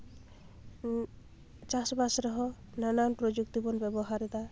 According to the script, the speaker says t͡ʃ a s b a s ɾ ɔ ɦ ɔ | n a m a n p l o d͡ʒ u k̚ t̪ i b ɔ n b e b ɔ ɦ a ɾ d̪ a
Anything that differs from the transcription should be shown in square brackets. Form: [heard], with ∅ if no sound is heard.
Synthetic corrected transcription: t͡ʃ a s b a s ɾ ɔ ɦ ɔ | n a [n] a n p [ɾ] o d͡ʒ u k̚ t̪ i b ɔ n b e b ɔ ɦ a ɾ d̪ a